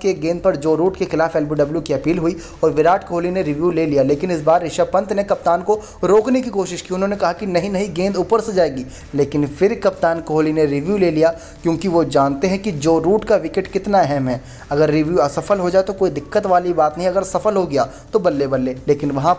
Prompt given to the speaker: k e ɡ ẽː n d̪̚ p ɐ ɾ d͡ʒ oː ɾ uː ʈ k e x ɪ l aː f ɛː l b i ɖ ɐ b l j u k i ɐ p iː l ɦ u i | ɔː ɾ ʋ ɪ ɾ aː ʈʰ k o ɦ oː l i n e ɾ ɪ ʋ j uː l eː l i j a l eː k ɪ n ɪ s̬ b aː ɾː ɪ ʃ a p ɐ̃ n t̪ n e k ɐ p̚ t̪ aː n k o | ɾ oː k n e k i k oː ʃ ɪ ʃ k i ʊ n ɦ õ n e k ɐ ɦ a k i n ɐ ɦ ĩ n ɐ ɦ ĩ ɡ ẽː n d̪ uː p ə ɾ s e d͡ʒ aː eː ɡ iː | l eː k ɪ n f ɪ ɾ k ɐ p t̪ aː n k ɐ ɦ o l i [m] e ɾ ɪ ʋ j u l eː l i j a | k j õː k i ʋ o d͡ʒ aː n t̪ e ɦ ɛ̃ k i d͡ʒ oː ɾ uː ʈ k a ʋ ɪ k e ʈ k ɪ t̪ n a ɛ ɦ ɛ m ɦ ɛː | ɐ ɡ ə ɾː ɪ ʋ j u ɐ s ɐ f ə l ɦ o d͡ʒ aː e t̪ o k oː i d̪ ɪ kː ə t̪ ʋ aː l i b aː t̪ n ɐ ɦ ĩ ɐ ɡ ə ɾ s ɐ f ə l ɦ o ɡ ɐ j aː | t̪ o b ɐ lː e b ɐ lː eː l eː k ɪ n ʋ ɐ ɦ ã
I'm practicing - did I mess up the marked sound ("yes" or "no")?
yes